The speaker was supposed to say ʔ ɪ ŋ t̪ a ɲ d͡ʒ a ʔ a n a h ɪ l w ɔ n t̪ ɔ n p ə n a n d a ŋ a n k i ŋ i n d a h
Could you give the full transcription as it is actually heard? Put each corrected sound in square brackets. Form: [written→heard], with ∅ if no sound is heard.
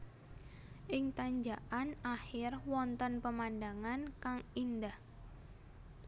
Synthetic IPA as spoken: ʔ ɪ ŋ t̪ a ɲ d͡ʒ a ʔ a n a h ɪ [l→r] w ɔ n t̪ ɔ n p ə [n→m] a n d a ŋ a n k [i→a] ŋ i n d a h